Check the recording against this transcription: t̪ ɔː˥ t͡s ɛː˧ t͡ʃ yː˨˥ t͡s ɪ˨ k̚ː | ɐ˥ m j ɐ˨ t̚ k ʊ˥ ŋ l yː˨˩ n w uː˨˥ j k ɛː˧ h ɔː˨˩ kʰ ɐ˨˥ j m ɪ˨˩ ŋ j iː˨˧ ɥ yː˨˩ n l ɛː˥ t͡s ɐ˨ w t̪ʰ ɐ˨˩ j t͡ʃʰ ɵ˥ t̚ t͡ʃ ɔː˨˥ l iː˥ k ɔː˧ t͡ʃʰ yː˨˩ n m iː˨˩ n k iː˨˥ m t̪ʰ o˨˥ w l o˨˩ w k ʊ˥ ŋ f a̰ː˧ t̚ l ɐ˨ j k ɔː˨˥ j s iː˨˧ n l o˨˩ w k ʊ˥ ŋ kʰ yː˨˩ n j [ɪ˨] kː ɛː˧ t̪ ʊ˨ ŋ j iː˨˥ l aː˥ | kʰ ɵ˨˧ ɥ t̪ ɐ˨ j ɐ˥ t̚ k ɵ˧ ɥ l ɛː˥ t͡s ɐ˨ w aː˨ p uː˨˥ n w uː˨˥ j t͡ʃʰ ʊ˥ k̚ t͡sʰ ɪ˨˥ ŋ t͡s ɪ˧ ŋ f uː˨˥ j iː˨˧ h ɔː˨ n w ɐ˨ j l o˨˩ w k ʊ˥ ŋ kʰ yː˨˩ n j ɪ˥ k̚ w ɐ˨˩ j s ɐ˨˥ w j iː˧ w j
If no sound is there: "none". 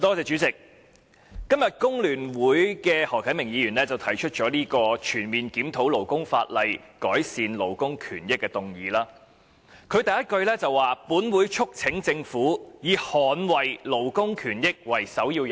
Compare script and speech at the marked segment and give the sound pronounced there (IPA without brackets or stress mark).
ɪ˥